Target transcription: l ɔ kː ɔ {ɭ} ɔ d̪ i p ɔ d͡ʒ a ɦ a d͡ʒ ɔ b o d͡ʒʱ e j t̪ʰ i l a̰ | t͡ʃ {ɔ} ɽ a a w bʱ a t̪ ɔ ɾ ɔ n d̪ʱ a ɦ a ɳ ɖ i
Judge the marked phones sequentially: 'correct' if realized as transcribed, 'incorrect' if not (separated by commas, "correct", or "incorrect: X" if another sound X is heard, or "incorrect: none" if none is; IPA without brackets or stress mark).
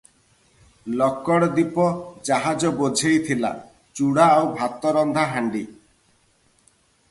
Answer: incorrect: ɽ, incorrect: u